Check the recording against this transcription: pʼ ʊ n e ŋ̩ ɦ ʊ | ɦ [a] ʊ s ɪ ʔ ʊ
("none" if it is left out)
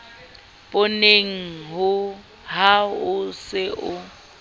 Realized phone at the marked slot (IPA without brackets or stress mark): a